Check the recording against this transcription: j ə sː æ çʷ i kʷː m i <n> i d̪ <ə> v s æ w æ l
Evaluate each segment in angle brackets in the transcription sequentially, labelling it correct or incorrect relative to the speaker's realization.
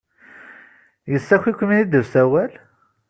correct, correct

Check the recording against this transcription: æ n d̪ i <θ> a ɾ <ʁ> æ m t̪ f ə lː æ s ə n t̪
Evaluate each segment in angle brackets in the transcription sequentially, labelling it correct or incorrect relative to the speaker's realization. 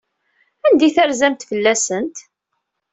correct, incorrect: z

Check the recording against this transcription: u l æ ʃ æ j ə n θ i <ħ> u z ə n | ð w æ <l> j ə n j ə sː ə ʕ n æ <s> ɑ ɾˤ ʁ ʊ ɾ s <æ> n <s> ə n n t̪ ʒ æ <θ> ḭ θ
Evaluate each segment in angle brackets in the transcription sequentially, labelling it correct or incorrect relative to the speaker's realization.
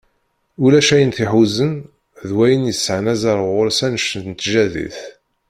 correct, incorrect: none, incorrect: z, correct, incorrect: ʃ, incorrect: ð

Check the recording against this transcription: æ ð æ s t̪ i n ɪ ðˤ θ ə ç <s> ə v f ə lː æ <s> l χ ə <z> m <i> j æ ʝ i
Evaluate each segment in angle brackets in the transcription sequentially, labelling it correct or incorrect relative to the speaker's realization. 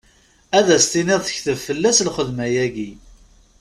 incorrect: θ, correct, incorrect: ð, incorrect: æ

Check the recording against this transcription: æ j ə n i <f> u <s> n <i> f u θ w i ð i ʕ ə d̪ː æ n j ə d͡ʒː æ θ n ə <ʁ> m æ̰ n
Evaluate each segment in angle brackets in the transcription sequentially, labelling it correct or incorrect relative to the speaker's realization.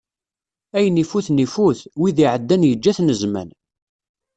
correct, incorrect: θ, correct, incorrect: z

